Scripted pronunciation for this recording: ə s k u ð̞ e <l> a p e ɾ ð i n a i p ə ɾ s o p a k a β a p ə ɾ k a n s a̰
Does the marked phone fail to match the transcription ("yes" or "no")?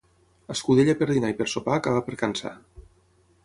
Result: yes